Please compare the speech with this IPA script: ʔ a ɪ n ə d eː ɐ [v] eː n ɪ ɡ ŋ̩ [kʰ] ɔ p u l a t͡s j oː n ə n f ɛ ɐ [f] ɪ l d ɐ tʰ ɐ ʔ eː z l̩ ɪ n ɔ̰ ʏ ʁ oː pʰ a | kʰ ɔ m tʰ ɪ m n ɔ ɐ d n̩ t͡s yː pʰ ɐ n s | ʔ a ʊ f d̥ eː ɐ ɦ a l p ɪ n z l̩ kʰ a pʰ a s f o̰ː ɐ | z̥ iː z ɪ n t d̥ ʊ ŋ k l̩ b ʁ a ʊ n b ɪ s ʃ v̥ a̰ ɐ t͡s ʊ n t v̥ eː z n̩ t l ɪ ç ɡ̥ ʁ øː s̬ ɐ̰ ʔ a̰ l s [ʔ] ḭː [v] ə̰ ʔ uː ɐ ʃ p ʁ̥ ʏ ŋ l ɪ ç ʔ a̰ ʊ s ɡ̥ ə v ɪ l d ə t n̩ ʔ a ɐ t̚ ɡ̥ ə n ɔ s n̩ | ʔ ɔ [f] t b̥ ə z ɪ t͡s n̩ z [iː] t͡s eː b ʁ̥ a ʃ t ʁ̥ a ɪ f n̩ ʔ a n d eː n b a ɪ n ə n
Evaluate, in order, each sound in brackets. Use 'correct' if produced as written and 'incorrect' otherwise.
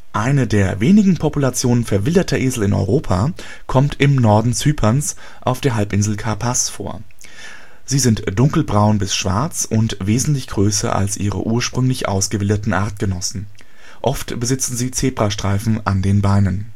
correct, incorrect: pʰ, incorrect: v, correct, incorrect: ʁ, correct, correct

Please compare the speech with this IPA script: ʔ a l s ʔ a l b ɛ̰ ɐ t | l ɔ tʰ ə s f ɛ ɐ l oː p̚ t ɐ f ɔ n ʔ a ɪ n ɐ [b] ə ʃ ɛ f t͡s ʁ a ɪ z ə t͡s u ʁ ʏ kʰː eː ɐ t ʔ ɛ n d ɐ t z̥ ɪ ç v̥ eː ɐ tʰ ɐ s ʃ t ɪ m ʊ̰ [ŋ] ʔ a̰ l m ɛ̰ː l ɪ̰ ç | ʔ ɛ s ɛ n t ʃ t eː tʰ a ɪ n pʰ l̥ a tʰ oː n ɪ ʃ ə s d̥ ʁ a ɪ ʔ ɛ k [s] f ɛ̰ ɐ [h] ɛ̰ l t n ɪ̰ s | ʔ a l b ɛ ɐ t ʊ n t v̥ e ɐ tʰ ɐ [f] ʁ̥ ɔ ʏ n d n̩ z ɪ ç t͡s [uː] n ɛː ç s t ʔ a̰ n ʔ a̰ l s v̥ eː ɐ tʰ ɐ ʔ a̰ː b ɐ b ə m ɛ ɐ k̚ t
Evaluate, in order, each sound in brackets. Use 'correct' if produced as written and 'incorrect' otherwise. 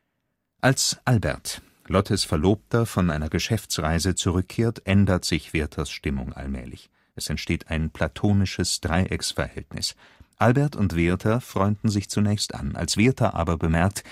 incorrect: ɡ, correct, correct, correct, correct, incorrect: u

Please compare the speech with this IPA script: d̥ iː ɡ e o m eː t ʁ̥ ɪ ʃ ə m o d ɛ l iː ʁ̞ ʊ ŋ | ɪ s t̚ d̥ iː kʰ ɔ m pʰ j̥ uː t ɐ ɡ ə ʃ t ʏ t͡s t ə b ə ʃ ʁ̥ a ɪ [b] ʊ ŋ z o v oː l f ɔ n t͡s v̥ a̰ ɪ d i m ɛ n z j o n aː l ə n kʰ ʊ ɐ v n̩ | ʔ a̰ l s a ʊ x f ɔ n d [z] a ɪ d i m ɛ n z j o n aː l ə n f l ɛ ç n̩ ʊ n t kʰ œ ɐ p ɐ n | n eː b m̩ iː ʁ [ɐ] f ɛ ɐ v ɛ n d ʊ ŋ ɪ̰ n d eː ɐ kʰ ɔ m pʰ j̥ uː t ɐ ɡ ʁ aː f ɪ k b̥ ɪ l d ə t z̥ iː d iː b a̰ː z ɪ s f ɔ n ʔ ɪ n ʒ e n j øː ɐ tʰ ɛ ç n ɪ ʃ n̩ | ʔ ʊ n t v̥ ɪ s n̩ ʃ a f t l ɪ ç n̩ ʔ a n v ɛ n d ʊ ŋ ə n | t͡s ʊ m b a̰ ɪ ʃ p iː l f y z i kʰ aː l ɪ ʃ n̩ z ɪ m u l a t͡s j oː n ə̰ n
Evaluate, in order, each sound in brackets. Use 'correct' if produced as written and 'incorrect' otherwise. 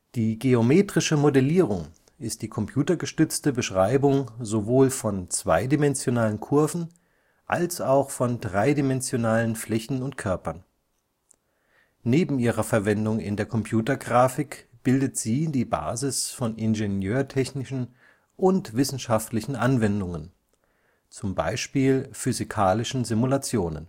correct, incorrect: ʁ, correct

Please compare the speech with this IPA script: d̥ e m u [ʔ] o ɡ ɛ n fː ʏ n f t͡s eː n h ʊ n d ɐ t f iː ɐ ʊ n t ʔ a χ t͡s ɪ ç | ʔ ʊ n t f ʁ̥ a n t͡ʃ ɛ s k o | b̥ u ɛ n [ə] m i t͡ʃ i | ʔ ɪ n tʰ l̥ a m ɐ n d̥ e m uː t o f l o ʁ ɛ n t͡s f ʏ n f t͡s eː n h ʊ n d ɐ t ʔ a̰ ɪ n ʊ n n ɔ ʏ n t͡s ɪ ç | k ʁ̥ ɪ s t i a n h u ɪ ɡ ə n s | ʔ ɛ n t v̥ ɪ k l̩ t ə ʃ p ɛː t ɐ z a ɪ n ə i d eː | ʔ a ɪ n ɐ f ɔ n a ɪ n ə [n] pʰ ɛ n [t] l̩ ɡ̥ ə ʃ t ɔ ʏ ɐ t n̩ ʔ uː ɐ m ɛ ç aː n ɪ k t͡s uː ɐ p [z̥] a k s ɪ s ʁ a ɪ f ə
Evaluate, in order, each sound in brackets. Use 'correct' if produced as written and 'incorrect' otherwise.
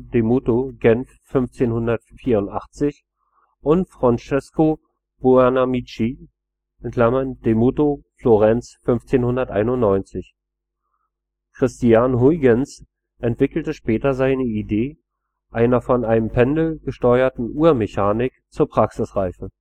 incorrect: t, incorrect: a, incorrect: m, incorrect: d, incorrect: ʁ̥

